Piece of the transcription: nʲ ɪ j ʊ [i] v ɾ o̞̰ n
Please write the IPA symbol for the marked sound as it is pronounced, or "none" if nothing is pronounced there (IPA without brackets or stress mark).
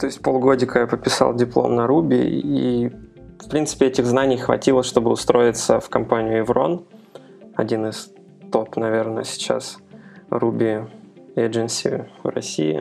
ɪ